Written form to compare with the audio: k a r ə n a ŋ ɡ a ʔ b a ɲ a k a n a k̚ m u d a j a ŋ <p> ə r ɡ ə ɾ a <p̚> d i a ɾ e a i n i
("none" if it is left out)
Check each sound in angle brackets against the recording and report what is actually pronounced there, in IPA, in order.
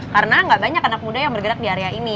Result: b, k̚

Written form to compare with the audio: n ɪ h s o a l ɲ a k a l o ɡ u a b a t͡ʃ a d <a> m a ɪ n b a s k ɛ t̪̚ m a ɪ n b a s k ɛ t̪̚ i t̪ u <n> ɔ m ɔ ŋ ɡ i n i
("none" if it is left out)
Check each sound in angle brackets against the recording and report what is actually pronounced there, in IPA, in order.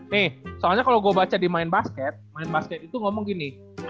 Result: i, ŋ

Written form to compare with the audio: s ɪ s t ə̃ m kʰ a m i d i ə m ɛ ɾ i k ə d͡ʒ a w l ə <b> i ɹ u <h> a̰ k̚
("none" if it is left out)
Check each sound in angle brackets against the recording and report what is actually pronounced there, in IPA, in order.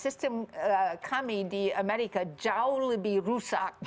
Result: b, s

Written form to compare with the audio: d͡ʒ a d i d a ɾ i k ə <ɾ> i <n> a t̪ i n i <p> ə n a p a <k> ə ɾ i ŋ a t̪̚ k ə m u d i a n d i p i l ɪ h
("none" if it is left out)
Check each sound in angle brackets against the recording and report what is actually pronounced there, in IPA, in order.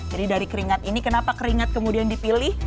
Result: ɾ, ŋ, k, k

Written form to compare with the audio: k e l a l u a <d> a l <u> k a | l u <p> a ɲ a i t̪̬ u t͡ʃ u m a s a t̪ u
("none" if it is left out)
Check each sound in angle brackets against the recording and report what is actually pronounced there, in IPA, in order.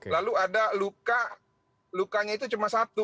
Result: d, u, k

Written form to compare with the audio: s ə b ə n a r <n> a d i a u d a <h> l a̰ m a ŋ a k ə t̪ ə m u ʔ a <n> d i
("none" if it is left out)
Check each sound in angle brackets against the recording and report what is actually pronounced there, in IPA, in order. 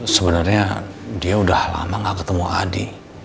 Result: ɲ, h, none

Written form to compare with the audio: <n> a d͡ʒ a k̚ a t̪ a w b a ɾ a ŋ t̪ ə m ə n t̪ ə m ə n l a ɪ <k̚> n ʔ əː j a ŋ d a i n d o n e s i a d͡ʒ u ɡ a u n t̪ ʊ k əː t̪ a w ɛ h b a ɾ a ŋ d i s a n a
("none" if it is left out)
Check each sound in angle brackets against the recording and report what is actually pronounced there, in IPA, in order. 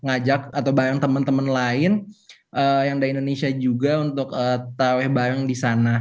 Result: ŋ, none

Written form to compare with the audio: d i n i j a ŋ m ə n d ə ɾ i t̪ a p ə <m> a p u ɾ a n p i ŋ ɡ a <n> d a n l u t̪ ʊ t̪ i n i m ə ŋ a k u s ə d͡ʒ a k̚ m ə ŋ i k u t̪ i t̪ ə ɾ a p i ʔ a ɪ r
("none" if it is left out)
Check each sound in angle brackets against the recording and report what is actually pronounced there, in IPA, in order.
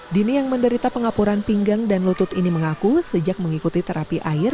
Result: ŋ, ŋ

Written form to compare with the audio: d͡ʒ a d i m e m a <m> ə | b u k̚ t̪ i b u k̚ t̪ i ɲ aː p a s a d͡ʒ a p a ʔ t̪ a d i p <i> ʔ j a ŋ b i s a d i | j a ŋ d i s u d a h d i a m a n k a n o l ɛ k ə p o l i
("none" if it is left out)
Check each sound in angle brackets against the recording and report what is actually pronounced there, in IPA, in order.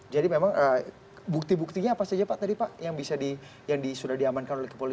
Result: ŋ, a

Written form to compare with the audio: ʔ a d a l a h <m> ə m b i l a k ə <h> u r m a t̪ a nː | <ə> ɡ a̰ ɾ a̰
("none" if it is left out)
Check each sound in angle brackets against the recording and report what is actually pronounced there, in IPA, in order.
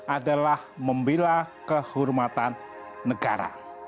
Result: m, h, ə

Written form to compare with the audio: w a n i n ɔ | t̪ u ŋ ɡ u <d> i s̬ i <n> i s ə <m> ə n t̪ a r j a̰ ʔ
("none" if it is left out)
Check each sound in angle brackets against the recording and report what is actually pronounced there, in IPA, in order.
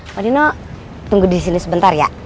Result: d, n, b

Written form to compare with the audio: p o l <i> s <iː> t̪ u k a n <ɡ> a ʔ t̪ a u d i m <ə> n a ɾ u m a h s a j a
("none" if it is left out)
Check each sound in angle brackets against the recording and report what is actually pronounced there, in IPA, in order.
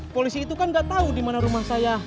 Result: i, iː, ɡ, a

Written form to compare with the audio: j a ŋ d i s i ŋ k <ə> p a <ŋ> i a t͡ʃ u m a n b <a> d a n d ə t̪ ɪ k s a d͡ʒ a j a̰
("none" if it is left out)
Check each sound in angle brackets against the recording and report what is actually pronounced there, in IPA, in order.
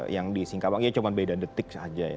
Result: a, ŋ, e

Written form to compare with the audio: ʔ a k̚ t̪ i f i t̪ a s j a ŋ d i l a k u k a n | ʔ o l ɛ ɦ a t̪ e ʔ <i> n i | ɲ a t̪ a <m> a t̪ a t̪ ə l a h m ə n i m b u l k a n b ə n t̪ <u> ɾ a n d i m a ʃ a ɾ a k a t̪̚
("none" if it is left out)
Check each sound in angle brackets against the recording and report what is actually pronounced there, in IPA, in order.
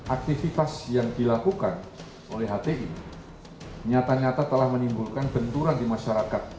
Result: i, ɲ, u

